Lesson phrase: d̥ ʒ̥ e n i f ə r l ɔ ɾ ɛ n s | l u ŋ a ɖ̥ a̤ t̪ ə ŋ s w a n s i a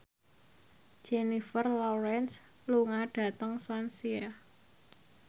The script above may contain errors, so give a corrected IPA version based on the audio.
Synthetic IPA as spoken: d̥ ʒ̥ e n i f ə r l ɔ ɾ ɛ n s | l u ŋ a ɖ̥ a̤ t̪ ə ŋ s w a n s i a